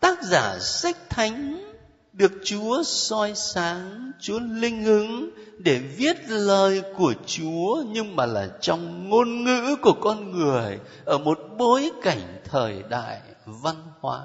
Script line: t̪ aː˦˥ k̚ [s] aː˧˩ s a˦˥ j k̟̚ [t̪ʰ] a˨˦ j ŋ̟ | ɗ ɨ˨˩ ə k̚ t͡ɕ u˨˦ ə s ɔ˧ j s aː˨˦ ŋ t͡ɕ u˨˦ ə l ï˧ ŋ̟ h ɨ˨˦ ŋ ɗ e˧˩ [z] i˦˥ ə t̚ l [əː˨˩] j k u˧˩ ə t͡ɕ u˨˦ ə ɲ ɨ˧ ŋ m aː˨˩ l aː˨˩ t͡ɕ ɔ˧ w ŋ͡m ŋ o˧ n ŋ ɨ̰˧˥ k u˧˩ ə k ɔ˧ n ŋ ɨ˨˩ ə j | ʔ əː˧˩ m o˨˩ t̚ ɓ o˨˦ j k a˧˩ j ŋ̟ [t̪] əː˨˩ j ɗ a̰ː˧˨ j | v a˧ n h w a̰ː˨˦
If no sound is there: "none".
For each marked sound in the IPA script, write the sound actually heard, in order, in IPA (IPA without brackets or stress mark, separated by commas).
z, t̪ʰ, v, əː˨˩, t̪ʰ